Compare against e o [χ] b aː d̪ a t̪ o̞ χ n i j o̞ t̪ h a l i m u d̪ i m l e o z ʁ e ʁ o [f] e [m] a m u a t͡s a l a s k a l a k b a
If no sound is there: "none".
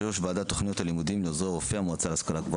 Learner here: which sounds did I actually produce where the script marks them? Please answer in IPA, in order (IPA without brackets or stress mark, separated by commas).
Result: ʃ, f, none